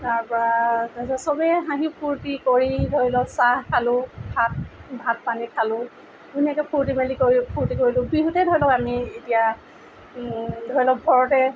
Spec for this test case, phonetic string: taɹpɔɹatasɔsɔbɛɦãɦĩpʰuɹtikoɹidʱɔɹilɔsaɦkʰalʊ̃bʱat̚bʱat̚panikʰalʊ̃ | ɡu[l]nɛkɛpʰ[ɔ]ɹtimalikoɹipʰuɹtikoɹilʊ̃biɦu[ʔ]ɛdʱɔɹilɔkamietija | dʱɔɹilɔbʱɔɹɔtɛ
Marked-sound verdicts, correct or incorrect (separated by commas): incorrect, incorrect, incorrect